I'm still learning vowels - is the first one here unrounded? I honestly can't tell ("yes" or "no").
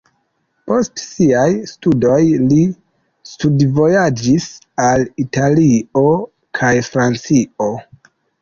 no